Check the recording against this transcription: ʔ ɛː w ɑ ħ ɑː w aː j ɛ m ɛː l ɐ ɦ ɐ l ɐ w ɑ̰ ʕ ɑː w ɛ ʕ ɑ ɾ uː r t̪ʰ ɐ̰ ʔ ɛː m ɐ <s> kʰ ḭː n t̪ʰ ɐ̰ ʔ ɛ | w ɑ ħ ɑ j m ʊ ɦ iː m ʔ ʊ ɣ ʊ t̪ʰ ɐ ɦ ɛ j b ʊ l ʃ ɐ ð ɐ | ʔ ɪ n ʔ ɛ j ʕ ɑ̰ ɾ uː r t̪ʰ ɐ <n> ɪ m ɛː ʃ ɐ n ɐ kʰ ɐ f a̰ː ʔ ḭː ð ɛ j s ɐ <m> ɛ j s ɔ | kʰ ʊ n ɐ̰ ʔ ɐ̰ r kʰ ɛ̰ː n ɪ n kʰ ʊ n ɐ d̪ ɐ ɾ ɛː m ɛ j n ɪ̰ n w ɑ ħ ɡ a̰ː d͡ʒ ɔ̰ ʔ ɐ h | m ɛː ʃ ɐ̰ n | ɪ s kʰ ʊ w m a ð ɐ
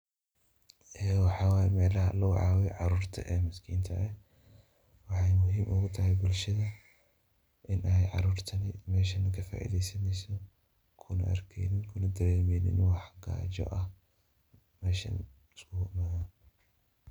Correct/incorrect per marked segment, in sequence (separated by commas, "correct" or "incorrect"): correct, correct, incorrect